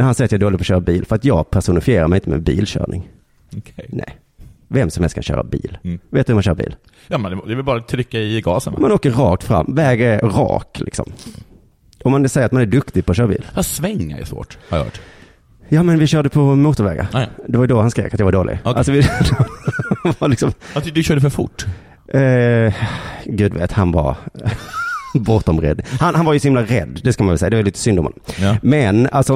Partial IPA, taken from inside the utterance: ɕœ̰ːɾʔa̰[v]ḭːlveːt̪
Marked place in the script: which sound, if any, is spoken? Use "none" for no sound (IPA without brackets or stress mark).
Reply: b